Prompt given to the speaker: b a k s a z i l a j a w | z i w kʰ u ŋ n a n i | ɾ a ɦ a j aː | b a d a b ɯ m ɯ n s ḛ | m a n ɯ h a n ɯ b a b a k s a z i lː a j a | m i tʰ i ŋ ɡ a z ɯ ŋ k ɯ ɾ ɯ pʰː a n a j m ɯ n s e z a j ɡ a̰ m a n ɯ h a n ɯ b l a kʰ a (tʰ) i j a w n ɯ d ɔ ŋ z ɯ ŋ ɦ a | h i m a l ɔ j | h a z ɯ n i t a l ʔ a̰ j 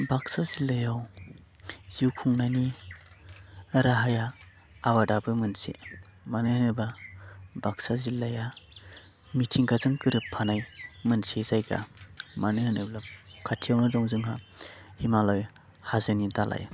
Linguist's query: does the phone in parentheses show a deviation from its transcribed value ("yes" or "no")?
no